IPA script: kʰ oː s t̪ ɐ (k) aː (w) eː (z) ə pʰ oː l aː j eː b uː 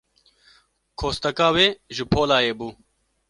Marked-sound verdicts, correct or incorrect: correct, correct, incorrect: ʒ

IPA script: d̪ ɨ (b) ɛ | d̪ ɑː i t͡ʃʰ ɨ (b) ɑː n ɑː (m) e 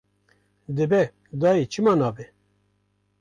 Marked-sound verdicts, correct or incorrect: correct, incorrect: m, incorrect: b

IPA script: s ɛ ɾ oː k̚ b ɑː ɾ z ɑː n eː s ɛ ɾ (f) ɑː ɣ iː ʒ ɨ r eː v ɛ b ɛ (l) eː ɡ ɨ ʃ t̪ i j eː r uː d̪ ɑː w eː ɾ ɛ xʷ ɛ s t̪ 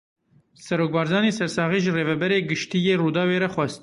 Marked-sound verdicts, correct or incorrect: incorrect: s, incorrect: ɾ

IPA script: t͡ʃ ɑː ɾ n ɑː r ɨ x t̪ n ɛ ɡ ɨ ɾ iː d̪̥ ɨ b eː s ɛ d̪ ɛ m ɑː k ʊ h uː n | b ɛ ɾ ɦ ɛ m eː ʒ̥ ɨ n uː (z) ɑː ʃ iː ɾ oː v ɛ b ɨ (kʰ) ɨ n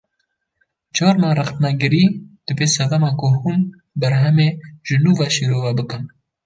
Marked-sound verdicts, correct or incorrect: incorrect: v, incorrect: k

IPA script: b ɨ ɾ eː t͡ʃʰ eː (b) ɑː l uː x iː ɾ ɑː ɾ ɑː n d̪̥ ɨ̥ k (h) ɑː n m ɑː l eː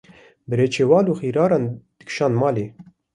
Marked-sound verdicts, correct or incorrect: incorrect: w, incorrect: ʃ

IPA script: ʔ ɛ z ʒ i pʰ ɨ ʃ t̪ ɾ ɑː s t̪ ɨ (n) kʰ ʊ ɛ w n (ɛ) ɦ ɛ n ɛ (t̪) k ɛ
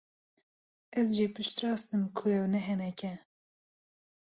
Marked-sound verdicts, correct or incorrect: incorrect: m, correct, incorrect: none

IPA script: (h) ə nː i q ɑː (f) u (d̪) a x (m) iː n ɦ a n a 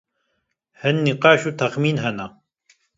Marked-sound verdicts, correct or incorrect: correct, incorrect: ʃ, incorrect: t̪, correct

